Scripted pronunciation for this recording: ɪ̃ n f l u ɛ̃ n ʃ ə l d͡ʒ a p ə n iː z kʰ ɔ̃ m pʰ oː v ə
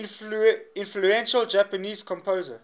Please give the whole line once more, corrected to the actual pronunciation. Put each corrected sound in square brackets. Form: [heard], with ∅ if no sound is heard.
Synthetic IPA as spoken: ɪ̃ n f l u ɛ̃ n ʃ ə l d͡ʒ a p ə n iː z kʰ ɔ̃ m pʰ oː [z] ə